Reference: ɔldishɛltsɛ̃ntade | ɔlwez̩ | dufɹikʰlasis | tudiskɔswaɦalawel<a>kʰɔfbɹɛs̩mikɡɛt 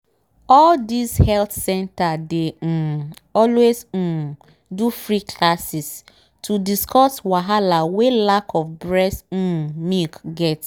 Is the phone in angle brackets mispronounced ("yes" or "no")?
no